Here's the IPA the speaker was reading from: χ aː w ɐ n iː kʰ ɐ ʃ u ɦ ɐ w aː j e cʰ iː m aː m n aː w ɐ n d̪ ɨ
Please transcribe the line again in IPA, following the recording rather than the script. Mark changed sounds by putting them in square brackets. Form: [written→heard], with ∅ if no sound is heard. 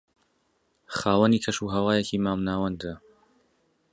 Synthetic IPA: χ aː w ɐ n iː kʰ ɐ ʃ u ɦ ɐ w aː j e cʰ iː m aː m n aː w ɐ n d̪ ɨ